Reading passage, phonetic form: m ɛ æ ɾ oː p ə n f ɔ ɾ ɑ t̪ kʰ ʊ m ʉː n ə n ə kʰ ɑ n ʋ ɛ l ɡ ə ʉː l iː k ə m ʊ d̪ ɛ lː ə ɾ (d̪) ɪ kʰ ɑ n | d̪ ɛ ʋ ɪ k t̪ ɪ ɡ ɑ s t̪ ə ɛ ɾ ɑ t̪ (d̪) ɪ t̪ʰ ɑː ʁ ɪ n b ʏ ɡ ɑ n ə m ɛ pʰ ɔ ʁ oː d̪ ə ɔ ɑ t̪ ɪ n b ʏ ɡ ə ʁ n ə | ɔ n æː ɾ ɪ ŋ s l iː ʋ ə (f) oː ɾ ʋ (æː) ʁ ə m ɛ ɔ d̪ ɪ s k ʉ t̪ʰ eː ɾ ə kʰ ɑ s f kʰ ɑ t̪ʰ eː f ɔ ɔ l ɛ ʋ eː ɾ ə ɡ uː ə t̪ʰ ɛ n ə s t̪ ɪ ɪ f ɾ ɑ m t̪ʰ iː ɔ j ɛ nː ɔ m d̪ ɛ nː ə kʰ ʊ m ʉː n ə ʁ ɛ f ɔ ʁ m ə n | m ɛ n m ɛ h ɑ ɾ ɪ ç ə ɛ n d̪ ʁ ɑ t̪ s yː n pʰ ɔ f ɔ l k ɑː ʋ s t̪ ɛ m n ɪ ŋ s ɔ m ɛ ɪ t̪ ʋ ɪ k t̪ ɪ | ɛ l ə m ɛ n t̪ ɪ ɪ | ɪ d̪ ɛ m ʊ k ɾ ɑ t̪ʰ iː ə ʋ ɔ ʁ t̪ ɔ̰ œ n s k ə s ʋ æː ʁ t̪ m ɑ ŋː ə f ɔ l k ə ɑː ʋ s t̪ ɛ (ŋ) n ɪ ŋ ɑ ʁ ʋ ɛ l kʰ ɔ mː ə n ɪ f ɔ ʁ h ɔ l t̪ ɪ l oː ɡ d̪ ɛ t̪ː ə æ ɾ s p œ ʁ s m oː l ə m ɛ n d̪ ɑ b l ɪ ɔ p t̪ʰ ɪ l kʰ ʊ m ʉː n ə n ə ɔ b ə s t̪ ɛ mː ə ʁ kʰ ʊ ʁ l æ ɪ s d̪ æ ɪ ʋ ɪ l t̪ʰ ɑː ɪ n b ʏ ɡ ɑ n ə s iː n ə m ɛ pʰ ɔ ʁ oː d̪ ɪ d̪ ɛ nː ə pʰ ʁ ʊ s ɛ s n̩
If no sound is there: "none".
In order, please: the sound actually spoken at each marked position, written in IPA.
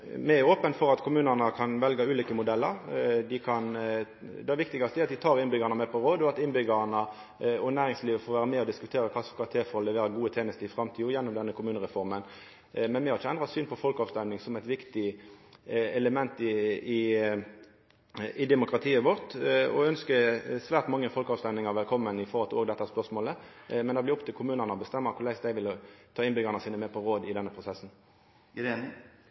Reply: d̪, d̪, f, æː, m

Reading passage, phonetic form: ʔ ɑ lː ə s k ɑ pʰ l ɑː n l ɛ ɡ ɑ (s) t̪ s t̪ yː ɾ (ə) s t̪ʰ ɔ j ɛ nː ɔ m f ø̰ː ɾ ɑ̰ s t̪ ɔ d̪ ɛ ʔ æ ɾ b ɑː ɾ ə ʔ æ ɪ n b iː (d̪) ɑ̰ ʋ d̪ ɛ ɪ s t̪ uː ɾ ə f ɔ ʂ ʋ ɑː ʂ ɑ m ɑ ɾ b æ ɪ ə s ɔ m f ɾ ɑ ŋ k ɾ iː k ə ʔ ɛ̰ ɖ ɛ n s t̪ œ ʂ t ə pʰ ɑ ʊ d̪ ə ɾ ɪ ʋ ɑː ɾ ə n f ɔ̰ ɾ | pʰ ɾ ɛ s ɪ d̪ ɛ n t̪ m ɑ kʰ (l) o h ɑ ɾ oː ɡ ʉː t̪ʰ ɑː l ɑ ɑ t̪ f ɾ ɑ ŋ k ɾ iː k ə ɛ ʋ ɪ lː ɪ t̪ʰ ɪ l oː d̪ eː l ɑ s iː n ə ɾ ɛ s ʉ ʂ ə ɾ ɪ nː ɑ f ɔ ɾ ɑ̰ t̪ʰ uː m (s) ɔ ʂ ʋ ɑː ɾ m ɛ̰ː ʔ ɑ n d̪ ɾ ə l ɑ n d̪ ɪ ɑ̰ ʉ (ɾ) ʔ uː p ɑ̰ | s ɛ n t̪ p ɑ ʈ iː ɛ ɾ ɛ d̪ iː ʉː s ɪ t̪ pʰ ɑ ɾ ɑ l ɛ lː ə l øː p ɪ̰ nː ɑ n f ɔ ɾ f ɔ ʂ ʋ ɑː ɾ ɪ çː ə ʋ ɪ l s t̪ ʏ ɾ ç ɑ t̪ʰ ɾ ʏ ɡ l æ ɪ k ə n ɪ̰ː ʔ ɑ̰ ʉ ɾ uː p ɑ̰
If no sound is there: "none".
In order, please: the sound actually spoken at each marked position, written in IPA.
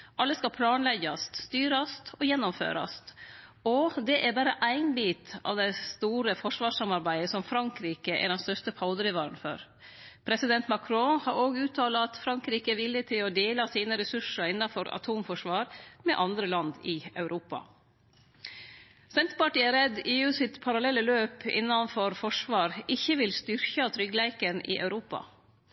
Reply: s, ɑ, t̪, ɾ, f, ɾ

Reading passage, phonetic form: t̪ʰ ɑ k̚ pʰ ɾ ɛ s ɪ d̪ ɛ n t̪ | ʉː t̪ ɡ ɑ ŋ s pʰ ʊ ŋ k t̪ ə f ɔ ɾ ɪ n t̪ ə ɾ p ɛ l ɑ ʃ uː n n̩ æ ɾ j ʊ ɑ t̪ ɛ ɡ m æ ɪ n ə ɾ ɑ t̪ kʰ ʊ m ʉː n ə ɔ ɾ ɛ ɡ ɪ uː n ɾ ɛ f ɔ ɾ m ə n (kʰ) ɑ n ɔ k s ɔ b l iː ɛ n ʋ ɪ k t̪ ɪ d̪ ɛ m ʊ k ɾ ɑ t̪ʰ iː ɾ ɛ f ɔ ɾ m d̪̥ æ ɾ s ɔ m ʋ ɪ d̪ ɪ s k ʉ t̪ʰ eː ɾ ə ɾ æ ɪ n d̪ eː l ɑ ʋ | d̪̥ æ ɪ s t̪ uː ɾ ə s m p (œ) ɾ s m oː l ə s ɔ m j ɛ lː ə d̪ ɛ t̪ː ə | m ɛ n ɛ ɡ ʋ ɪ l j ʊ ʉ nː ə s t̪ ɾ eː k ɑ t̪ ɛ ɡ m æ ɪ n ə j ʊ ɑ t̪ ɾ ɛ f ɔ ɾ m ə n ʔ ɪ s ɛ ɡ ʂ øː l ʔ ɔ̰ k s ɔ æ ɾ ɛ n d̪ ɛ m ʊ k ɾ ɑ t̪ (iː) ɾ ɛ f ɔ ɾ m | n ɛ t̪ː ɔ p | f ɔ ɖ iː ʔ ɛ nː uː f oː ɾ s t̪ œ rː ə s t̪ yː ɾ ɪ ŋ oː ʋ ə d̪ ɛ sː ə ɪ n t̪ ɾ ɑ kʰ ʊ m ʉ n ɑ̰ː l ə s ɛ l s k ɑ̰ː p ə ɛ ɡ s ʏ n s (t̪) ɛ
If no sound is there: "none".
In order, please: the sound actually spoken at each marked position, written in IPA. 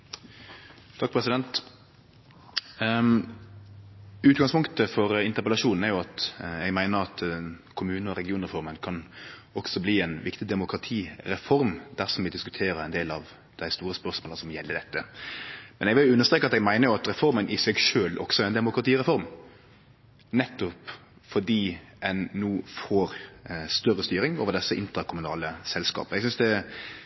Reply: kʰ, œ, iː, d̪

